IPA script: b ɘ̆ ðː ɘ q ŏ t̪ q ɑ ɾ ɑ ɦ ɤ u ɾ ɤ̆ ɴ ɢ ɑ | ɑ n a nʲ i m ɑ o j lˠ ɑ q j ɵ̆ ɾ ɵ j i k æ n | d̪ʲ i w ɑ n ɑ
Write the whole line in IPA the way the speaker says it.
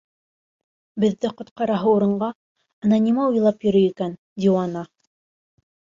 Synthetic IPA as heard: b ɘ̆ ðː ɘ q ŏ t̪ q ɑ ɾ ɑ ɦ ɤ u ɾ ɤ̆ ɴ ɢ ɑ | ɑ n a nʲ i m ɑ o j lˠ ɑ p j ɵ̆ ɾ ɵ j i k æ n | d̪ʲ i w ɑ n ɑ

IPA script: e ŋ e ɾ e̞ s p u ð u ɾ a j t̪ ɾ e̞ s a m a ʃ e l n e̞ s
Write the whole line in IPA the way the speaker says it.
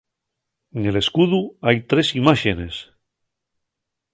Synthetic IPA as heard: e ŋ e l e̞ s k u ð u a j t̪ ɾ e̞ s i m a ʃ e n e̞ s

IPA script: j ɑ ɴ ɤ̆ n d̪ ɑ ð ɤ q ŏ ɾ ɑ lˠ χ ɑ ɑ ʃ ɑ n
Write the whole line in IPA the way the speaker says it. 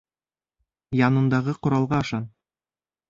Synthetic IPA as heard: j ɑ n ɤ̆ n d̪ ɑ ʁ ɤ q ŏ ɾ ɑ lˠ ʁ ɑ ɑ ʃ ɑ n

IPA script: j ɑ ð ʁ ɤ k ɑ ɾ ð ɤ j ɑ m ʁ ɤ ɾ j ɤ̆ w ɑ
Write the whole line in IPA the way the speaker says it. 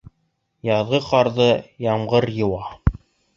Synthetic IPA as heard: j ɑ ð ʁ ɤ q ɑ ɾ ð ɤ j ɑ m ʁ ɤ ɾ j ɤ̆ w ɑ

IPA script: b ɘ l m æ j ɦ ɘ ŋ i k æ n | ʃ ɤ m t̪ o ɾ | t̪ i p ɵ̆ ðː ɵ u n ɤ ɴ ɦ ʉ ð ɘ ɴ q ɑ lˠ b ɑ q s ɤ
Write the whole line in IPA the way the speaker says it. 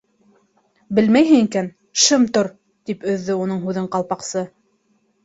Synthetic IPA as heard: b ɘ l m æ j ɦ ɘ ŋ i k æ n | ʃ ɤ m t̪ o ɾ | t̪ i p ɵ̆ ðː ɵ u n ɤ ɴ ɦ ʉ ð ɘ ɴ q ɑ lˠ p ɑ q s ɤ

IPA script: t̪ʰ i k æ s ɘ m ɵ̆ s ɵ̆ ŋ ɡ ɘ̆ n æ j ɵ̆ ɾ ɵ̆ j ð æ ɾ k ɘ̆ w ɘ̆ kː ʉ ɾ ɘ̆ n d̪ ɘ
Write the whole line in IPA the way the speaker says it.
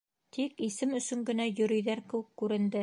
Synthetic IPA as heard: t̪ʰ i k i s ɘ m ɵ̆ s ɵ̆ ŋ ɡ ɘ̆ n æ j ɵ̆ ɾ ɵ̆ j ð æ ɾ k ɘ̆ w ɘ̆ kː ʉ ɾ ɘ̆ n d̪ ɘ

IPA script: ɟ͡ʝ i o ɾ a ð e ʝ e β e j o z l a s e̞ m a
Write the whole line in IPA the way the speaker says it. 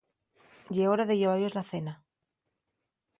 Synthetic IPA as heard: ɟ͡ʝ e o ɾ a ð e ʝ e β a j o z l a θ e̞ n a

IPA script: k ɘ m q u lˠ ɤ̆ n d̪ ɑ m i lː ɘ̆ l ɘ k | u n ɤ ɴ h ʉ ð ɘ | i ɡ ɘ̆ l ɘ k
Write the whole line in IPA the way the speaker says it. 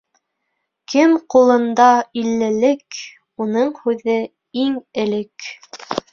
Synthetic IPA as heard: k ɘ m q u lˠ ɤ̆ n d̪ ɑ i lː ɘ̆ l ɘ k | u n ɤ ɴ h ʉ ð ɘ | i ŋ ɘ̆ l ɘ k

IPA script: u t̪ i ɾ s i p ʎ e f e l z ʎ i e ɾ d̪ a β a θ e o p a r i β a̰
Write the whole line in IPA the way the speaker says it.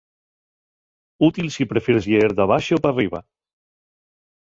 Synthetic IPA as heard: u t̪ i l s i p ɾ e f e ɾ z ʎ e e ɾ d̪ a β a ʃ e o p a r i β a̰

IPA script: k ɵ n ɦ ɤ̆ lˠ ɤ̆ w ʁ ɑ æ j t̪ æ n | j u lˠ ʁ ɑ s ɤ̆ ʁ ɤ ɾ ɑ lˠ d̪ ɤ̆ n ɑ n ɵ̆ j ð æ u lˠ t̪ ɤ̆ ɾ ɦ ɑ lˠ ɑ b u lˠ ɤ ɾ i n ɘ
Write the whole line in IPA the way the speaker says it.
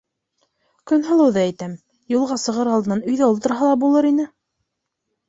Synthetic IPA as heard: k ɵ n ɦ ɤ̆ lˠ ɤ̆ w ð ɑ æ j t̪ æ m | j u lˠ ʁ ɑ s ɤ̆ ʁ ɤ ɾ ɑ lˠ d̪ ɤ̆ n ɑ n ɵ̆ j ð æ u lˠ t̪ ɤ̆ ɾ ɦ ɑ lˠ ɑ b u lˠ ɤ ɾ i n ɘ

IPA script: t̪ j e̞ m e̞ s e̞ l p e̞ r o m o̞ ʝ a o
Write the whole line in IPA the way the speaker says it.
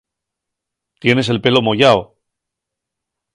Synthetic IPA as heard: t̪ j e̞ n e̞ s e̞ l p e̞ l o m o̞ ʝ a o

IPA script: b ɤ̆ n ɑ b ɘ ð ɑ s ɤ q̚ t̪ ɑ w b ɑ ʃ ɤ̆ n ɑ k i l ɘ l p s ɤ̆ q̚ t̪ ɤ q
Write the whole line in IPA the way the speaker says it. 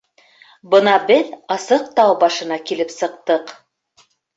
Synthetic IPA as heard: b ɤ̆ n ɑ b ɘ ð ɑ s ɤ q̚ t̪ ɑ w b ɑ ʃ ɤ̆ n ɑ k i l ɘ p s ɤ̆ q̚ t̪ ɤ q

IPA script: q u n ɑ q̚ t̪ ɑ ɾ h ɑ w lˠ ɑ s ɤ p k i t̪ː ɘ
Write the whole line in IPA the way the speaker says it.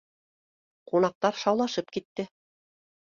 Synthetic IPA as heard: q u n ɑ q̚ t̪ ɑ ɾ ʃ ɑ w lˠ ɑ ʃ ɤ p k i t̪ː ɘ

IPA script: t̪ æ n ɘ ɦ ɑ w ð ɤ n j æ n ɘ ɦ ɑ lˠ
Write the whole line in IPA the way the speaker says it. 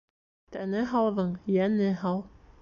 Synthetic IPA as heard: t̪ æ n ɘ ɦ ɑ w ð ɤ ɴ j æ n ɘ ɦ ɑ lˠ

